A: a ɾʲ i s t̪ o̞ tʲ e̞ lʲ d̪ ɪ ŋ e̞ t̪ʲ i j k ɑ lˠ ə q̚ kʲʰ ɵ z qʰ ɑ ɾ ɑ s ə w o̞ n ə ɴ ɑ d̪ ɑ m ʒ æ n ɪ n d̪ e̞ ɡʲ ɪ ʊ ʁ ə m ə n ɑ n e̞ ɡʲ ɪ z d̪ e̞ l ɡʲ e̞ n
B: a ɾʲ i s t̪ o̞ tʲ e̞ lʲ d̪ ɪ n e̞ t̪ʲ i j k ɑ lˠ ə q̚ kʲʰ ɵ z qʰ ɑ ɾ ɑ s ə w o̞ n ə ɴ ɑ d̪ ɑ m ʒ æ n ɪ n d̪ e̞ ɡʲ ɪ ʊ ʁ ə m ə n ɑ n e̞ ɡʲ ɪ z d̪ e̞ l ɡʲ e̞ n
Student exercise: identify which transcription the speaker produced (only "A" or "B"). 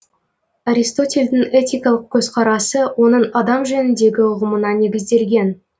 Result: A